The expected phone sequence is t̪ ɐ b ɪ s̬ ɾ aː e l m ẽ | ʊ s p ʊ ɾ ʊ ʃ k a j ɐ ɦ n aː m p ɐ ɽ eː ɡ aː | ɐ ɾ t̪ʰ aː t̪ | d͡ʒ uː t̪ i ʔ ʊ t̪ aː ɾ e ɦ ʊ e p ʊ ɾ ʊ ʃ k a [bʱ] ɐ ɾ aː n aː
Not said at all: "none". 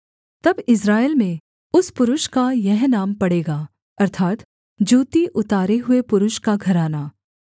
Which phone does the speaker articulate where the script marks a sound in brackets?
ɡʱ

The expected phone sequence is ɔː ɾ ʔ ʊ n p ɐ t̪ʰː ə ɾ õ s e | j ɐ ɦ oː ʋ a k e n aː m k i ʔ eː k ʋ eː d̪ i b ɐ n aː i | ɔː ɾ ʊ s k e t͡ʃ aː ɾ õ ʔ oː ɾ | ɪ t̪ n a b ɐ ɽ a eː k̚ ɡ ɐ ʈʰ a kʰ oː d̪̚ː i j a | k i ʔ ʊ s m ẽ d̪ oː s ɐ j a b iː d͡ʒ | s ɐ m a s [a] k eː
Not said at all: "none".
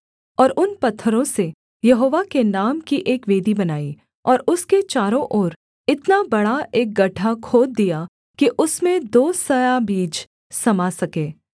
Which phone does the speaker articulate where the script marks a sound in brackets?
ɐ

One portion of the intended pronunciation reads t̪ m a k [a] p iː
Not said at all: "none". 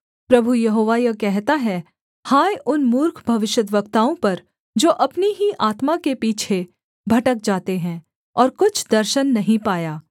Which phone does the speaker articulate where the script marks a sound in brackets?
e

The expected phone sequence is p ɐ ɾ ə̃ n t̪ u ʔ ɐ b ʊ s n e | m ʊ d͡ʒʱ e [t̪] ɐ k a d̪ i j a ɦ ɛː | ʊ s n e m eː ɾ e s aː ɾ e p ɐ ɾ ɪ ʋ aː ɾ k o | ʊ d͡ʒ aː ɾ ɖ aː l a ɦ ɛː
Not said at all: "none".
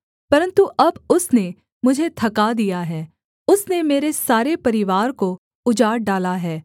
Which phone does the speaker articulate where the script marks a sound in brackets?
t̪ʰ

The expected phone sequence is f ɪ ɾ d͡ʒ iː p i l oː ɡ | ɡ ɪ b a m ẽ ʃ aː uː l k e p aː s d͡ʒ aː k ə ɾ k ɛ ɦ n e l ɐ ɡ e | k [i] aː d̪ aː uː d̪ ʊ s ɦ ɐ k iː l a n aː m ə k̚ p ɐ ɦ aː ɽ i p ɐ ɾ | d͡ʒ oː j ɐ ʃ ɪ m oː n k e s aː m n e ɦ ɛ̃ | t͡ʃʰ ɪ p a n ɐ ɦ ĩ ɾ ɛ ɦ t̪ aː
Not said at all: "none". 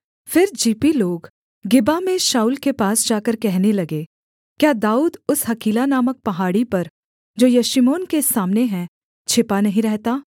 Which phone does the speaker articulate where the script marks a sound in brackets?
j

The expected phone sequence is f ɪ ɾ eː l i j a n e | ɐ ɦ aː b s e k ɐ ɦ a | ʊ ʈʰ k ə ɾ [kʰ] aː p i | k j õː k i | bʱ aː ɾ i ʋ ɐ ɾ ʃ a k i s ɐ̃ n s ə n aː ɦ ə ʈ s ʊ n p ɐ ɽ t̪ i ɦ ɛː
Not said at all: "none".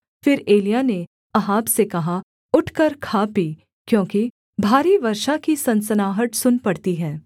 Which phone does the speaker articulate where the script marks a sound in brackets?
kʰ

